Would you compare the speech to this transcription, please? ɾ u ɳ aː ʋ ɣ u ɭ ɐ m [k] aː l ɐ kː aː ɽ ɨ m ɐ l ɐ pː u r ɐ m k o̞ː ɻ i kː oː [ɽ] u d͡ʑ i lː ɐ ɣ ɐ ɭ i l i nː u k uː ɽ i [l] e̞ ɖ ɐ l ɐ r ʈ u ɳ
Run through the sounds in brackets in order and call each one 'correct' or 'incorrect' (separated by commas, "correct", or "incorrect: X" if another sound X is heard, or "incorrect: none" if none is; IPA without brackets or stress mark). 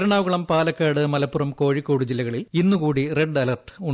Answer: incorrect: p, correct, incorrect: r